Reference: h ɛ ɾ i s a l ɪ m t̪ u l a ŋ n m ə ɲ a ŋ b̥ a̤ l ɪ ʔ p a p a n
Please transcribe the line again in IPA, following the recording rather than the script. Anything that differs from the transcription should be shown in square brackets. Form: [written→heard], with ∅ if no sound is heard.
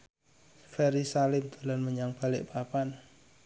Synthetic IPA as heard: [h→f] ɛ ɾ i s a l ɪ m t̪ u l a [ŋ→∅] n m ə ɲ a ŋ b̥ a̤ l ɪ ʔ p a p a n